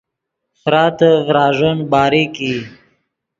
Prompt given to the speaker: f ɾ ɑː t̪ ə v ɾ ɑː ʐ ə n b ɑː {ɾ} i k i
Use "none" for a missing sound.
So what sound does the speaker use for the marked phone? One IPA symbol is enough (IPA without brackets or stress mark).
ɾ